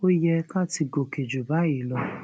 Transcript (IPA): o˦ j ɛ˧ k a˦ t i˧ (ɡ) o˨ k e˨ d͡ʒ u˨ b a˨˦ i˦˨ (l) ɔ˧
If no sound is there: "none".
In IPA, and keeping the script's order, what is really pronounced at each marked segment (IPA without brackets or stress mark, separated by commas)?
ɡ, l